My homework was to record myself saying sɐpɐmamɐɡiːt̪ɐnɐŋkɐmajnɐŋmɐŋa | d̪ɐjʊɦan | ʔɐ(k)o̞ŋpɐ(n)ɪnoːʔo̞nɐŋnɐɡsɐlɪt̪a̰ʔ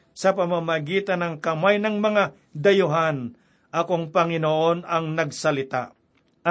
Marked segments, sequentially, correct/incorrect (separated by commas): correct, incorrect